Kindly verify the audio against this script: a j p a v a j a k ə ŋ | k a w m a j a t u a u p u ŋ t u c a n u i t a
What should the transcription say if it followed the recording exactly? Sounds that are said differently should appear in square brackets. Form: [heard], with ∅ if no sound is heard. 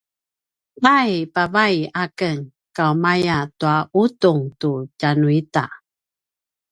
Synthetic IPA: a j p a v a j a k ə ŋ | k a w m a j a t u a u [t] u ŋ t u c a n u i t a